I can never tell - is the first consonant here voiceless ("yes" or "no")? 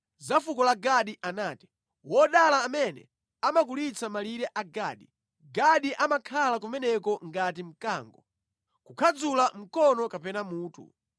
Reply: no